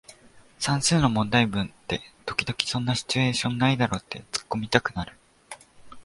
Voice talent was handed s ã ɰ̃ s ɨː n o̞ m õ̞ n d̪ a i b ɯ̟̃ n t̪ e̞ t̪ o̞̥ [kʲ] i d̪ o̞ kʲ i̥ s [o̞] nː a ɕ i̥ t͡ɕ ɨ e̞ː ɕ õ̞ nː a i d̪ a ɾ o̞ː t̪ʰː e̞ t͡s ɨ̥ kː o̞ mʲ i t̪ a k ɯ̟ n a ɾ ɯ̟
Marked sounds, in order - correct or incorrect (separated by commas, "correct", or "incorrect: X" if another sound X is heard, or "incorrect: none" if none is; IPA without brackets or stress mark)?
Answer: correct, incorrect: õ̞